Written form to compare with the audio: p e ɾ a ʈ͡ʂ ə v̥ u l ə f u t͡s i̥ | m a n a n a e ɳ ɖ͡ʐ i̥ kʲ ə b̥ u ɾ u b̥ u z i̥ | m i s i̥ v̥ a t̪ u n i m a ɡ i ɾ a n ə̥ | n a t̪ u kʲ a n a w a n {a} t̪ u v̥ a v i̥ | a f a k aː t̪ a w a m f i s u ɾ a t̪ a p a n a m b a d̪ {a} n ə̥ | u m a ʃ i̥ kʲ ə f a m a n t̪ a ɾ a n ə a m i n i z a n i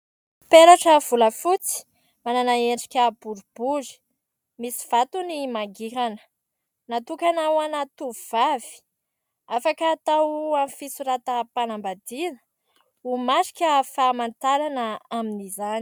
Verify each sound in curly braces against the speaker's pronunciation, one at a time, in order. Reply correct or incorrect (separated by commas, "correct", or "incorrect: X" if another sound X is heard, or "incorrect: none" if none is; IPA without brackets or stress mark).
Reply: correct, incorrect: i